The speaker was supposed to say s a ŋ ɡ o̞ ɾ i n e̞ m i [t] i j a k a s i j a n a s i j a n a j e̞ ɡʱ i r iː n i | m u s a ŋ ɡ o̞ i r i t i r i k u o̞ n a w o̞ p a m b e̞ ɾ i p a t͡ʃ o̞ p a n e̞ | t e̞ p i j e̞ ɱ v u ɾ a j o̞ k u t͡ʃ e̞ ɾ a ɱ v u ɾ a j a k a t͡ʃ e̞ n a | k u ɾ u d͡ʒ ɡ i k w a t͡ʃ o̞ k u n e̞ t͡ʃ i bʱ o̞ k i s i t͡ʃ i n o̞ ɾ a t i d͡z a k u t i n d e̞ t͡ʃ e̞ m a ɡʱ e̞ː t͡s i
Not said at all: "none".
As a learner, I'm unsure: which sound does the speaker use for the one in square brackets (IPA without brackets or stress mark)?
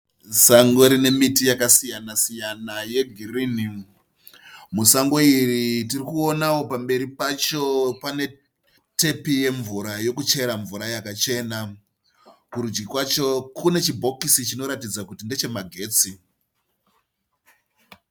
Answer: t